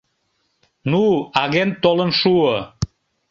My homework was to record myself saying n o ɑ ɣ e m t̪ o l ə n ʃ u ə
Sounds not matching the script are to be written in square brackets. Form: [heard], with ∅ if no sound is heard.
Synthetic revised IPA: n [u] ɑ ɣ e [n] t̪ o l ə n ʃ u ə